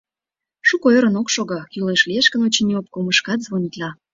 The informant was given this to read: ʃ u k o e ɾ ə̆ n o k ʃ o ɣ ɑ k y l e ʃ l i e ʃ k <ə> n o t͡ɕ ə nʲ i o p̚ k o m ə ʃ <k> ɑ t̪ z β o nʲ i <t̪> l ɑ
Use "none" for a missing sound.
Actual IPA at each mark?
ə, k, t̪

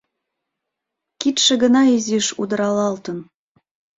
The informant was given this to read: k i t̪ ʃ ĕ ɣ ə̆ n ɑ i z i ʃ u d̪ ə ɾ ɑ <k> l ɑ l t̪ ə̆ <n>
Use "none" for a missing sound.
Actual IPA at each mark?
none, n

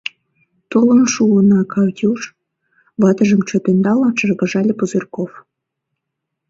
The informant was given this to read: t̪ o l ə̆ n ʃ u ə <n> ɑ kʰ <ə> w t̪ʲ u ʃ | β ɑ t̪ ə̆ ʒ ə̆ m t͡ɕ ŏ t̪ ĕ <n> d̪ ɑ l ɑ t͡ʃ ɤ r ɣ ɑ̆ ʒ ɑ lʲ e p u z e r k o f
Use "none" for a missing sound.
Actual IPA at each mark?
n, ɑ, n

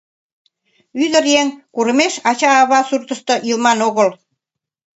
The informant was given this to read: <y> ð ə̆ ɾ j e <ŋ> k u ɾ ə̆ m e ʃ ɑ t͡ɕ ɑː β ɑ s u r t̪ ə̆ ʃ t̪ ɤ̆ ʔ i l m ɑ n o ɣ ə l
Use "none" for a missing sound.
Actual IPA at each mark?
y, ŋ

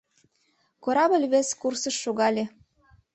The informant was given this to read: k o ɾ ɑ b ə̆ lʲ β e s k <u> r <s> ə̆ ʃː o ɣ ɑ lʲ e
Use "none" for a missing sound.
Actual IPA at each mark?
u, s

